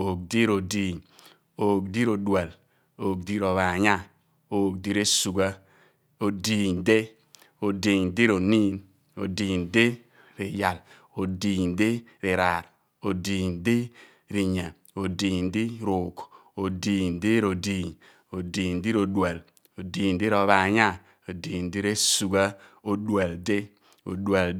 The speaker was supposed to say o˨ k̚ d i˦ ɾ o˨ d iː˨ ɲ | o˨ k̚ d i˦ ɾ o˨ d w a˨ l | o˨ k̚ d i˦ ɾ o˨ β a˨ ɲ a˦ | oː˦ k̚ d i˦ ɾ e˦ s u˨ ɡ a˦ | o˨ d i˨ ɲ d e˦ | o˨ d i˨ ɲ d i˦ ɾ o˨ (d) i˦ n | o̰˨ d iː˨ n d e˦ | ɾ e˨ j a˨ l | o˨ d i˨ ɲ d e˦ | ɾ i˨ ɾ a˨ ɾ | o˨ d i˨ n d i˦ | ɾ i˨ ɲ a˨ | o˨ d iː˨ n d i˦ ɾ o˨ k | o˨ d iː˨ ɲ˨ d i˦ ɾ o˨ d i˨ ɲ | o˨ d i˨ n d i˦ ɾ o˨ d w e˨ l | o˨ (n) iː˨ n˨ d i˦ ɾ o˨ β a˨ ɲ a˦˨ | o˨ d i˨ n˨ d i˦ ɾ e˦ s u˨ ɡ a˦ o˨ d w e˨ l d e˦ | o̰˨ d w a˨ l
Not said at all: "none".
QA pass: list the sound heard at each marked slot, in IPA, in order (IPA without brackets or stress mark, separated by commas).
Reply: n, d